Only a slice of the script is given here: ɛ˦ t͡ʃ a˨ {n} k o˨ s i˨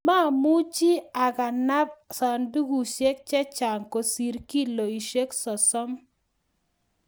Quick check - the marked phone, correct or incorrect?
incorrect